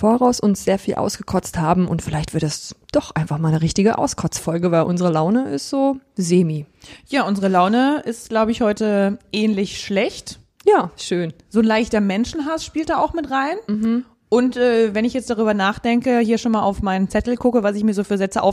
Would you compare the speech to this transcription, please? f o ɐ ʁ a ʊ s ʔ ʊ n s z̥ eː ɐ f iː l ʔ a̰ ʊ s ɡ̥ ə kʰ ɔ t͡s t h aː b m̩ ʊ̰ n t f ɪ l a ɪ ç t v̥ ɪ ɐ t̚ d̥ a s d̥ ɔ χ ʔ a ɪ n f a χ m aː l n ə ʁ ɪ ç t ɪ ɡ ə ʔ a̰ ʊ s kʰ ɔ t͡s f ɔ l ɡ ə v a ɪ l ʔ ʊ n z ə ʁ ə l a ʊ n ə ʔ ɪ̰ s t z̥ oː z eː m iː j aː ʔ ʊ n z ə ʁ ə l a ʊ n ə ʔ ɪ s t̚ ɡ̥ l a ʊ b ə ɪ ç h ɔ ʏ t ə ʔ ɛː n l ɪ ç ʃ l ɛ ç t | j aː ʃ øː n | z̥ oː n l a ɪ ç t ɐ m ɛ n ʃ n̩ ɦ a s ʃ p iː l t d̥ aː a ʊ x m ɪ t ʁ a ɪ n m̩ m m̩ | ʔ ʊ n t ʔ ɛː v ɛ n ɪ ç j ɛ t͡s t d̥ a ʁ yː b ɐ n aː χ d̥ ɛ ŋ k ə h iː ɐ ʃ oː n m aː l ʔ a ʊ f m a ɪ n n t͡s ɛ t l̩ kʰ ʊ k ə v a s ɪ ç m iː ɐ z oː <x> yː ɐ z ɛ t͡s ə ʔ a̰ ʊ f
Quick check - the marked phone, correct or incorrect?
incorrect